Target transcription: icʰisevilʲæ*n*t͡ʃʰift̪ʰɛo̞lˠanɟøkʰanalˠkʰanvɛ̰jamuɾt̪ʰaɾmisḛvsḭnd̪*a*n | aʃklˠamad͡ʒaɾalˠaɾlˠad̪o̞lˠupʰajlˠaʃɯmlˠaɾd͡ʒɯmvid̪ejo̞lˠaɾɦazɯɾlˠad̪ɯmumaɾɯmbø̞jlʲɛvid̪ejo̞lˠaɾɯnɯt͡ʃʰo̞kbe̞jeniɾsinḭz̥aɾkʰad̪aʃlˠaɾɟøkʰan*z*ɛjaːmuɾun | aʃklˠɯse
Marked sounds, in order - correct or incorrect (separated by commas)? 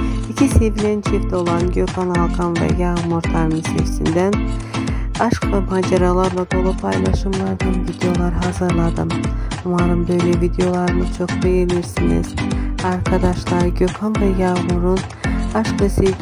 correct, incorrect, incorrect